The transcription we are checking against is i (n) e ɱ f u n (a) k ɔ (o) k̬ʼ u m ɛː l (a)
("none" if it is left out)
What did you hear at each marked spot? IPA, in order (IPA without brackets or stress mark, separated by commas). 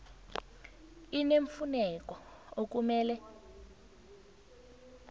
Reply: n, ɛ, o, ɛ